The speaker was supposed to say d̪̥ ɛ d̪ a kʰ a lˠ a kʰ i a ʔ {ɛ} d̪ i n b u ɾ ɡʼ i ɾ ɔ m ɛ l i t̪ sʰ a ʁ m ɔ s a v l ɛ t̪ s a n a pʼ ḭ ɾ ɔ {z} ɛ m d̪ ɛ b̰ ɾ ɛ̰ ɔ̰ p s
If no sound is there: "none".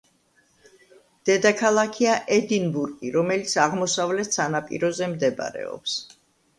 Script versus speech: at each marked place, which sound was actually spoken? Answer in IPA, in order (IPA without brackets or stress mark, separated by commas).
ɛ, z